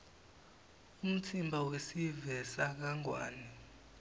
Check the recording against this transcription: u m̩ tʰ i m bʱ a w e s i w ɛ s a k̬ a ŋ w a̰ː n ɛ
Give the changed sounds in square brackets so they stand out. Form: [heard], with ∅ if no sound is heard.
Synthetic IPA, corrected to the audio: u m̩ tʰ i m bʱ a w e s i [v] ɛ s a k̬ a ŋ w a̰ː n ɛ